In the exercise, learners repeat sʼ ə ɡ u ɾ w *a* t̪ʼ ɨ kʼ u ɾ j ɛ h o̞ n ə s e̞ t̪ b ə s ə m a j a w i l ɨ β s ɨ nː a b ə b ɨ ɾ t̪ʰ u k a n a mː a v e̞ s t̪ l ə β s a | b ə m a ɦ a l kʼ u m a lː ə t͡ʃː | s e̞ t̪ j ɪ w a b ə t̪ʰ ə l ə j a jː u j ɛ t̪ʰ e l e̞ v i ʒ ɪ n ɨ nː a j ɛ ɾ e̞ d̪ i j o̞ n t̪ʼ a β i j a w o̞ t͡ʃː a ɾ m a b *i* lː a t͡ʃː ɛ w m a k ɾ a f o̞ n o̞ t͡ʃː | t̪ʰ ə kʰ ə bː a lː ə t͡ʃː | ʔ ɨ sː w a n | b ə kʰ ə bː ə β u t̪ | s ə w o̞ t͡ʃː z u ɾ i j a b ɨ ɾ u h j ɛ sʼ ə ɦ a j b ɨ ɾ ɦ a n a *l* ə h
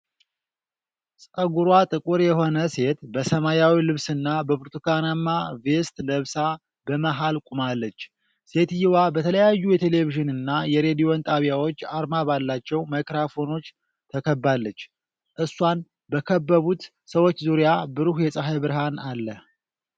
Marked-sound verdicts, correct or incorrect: correct, incorrect: a, incorrect: lː

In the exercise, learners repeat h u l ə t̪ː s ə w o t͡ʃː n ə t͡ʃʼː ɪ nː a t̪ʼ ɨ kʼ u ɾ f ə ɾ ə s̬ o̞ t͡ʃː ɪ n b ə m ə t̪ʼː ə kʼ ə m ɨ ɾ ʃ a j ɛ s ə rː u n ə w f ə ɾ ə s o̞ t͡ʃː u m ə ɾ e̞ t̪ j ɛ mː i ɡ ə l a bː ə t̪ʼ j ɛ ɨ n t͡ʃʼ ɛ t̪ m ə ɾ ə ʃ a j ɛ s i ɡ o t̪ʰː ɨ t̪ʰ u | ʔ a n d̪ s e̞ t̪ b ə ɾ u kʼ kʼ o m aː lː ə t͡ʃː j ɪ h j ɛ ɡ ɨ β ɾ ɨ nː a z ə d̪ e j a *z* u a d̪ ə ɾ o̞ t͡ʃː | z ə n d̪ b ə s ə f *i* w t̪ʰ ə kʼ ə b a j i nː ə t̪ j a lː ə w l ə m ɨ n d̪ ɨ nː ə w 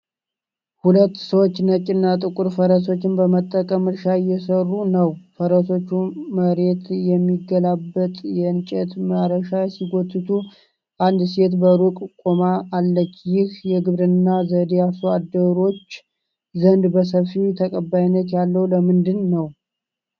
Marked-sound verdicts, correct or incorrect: incorrect: s, correct

